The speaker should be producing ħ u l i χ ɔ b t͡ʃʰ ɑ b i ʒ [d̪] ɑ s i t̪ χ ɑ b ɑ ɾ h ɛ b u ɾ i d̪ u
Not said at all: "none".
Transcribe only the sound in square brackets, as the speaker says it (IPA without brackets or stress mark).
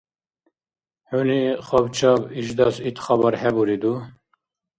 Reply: d̪